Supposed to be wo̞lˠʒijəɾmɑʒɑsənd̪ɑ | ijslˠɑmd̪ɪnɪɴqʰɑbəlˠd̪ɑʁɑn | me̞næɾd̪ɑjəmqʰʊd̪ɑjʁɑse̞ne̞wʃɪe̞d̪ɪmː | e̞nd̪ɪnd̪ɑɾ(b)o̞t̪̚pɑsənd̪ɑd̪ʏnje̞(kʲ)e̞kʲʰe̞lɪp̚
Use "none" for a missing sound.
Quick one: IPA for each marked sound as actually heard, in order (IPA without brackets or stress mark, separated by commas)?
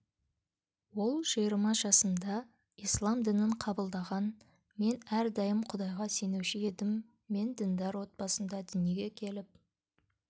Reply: w, ɡʲ